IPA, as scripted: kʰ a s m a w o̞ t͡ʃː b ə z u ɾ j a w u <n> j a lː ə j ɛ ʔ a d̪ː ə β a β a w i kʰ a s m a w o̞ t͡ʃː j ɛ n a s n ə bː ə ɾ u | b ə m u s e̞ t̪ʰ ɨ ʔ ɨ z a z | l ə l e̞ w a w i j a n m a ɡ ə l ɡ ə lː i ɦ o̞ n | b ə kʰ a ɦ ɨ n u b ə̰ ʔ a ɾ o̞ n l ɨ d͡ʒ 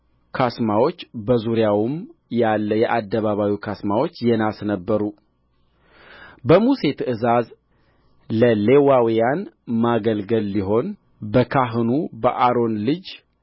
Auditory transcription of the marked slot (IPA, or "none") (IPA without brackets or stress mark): m